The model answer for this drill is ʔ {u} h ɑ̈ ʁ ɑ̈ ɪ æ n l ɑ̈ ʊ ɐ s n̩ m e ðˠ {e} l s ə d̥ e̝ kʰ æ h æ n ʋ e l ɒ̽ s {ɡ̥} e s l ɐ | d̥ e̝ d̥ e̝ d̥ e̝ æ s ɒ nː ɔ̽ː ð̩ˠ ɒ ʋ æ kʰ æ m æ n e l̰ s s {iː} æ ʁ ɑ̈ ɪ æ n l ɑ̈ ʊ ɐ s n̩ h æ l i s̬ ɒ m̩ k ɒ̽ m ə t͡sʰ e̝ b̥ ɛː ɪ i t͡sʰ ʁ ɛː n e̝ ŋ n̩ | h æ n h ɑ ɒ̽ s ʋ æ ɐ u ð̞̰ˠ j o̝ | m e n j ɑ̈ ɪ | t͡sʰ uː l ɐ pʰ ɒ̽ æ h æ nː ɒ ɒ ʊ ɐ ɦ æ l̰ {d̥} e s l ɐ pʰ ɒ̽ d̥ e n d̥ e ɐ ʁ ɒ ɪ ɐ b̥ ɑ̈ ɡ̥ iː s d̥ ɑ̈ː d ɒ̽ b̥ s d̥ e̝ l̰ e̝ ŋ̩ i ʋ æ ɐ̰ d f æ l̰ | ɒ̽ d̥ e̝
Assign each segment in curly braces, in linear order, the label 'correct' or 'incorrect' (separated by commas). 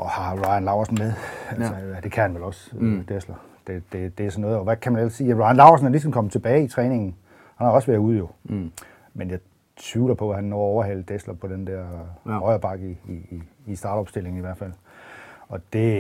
incorrect, incorrect, incorrect, correct, correct